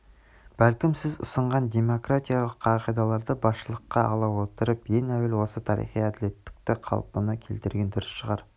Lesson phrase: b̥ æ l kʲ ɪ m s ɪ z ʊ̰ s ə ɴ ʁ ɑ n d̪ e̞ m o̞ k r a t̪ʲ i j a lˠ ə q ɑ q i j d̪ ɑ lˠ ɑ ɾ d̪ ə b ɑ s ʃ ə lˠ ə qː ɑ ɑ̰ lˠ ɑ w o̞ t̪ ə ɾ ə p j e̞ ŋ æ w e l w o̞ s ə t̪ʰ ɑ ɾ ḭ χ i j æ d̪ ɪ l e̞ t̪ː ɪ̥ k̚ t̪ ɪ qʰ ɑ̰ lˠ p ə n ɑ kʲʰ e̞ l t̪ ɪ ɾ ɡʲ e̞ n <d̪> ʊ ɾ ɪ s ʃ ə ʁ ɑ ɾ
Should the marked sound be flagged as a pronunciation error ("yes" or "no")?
no